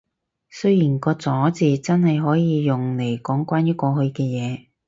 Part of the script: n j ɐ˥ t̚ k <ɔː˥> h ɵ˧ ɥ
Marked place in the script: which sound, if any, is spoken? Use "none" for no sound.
ɔː˧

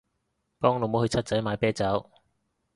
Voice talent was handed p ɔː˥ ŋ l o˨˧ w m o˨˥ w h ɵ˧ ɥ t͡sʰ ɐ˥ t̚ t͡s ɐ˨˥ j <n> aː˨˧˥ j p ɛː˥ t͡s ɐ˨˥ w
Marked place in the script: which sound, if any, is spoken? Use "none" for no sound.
m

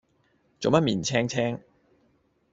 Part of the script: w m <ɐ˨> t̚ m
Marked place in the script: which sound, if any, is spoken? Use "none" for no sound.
ɐ˥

